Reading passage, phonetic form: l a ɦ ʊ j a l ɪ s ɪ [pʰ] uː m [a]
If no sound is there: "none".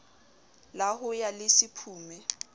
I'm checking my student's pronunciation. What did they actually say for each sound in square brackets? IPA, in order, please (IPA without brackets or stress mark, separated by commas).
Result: pʰ, ɛ